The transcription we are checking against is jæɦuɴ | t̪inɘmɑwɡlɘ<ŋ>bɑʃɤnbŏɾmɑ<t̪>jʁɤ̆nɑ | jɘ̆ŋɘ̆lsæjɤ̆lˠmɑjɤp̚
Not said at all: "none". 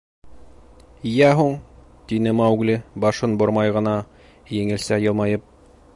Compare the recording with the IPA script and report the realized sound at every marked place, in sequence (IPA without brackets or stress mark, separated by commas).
none, none